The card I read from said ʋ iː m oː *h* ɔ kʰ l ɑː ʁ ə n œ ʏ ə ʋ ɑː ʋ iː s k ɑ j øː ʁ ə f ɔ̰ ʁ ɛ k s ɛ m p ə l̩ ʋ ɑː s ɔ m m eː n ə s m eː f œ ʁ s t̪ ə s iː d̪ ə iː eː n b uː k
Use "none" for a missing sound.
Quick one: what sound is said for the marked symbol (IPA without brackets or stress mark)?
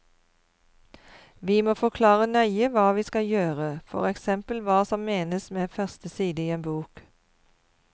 f